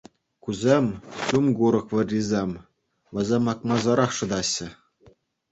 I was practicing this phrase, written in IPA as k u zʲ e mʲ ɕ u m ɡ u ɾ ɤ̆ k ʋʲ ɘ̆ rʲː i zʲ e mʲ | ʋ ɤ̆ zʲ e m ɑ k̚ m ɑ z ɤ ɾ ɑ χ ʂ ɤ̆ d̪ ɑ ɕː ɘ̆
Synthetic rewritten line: k u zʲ e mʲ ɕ u m ɡ u ɾ ɤ̆ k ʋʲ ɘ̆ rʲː i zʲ e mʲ | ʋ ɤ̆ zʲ e m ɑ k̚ m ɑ z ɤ ɾ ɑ χ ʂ ɤ̆ d̪ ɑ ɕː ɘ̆